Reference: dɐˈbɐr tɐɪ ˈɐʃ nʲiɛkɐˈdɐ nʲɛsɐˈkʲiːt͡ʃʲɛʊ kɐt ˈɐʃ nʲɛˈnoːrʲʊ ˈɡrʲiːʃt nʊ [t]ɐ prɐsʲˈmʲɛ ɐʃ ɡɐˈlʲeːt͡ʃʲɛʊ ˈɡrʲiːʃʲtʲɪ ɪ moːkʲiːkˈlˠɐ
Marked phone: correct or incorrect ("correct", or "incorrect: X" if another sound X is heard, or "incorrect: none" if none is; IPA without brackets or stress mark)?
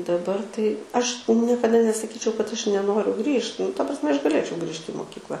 correct